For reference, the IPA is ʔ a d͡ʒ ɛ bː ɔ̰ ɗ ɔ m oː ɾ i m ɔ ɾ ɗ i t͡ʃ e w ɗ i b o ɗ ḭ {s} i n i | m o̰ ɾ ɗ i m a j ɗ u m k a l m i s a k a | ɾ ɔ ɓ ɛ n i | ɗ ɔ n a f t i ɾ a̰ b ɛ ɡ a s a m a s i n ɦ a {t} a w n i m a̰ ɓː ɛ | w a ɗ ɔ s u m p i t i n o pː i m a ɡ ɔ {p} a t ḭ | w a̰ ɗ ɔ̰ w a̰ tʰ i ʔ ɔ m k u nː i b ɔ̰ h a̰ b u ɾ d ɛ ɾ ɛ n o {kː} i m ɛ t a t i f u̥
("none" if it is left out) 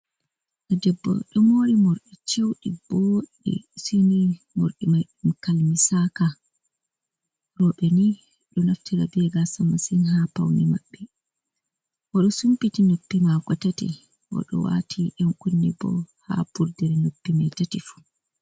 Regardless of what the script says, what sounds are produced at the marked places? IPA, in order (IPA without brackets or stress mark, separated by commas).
s, p, t, pː